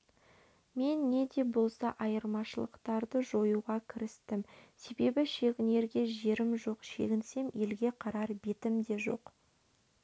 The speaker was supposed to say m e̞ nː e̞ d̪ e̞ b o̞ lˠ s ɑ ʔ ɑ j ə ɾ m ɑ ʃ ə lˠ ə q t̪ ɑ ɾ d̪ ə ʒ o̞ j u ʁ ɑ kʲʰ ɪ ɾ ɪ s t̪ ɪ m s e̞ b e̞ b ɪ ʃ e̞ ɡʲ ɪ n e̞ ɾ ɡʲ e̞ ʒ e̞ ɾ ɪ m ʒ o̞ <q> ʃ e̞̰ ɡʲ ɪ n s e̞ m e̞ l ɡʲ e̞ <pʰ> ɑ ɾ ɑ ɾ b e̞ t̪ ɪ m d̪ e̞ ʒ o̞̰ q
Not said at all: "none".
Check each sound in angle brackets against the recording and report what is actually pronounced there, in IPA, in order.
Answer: q, qʰ

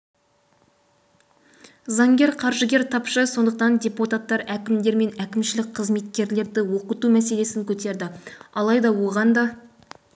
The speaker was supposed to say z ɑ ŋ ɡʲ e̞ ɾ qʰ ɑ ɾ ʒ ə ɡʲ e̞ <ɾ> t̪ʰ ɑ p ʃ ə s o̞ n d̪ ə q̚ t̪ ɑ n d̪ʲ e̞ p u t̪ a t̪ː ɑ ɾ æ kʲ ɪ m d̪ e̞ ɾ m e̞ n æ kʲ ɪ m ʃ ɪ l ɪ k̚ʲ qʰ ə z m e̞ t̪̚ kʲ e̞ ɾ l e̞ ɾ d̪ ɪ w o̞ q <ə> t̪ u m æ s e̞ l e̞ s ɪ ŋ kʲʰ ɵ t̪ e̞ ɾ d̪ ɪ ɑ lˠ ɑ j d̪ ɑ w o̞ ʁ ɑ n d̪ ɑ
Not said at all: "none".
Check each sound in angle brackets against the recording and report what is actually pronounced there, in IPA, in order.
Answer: ɾ, ə

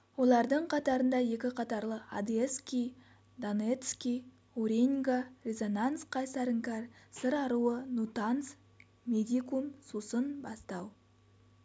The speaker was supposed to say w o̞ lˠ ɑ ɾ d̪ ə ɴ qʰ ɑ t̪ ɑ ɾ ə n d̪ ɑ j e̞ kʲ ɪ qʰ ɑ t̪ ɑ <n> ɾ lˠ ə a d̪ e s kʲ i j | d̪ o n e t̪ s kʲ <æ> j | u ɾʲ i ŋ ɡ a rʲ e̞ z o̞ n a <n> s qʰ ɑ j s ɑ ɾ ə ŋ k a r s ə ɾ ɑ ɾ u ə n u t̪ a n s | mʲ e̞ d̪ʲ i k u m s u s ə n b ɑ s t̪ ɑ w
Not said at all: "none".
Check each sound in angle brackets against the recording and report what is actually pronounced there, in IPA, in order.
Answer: none, i, n

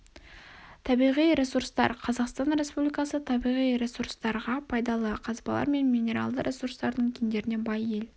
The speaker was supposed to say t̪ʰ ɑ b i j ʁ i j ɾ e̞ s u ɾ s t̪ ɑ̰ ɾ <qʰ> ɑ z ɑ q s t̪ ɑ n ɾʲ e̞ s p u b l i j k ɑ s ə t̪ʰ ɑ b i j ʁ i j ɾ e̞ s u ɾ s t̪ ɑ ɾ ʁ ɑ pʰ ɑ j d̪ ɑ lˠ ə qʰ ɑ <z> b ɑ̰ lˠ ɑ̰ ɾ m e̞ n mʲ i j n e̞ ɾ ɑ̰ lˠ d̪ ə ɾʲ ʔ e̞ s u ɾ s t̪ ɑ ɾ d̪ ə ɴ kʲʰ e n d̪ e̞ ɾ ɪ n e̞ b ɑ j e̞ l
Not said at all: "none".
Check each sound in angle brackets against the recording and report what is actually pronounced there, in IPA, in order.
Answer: qʰ, z

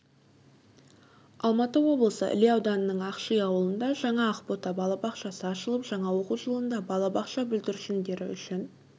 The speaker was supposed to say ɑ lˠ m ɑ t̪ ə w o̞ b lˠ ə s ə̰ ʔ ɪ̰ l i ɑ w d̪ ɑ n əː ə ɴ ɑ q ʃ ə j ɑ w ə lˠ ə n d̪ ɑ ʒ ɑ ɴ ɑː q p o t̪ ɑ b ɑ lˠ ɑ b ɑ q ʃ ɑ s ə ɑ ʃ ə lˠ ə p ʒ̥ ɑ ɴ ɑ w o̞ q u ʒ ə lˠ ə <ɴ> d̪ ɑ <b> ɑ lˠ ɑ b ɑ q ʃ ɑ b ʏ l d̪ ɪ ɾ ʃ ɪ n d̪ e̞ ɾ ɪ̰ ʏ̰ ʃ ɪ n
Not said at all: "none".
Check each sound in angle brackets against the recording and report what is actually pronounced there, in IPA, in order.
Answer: n, b

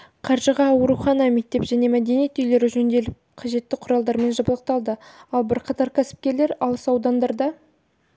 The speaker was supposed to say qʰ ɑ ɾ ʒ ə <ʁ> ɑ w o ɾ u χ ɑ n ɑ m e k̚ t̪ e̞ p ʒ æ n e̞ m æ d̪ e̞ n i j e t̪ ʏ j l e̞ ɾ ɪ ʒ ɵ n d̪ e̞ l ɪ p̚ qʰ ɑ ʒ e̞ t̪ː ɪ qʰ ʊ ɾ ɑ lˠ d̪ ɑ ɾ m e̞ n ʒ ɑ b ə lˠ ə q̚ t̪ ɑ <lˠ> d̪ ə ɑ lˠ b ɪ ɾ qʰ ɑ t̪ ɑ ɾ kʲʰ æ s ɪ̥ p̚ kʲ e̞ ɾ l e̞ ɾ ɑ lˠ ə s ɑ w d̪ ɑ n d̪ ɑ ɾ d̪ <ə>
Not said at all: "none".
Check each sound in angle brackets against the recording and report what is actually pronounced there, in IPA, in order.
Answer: ʁ, lˠ, ɑ

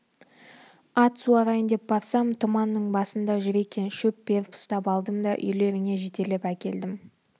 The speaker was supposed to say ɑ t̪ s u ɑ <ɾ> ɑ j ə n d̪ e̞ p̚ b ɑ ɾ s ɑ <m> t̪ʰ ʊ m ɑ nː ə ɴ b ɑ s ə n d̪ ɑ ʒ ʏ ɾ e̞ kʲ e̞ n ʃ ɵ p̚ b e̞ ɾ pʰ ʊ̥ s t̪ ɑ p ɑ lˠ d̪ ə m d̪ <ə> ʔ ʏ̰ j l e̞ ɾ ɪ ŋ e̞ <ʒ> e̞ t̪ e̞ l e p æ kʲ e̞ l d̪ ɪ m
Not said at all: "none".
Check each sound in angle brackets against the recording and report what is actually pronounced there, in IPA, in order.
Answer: ɾ, m, ɑ, ʒ

